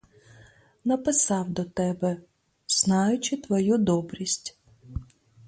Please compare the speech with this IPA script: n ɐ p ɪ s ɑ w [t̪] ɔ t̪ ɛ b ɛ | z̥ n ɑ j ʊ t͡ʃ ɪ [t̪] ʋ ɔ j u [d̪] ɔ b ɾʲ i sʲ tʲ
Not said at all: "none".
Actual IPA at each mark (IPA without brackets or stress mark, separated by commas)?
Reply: d̪, t̪, d̪